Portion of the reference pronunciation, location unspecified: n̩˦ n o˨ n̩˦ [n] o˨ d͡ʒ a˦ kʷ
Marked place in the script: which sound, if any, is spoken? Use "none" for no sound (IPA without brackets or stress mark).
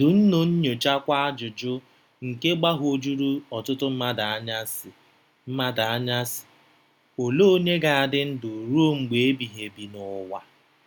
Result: ɲ